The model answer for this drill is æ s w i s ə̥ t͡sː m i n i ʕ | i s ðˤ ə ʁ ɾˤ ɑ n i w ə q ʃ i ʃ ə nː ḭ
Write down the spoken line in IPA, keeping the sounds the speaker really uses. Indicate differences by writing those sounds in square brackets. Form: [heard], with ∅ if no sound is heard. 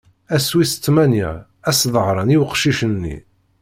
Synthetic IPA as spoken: æ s w i s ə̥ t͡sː m [æ] n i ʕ | [æ] s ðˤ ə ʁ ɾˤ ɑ n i w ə q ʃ i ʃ ə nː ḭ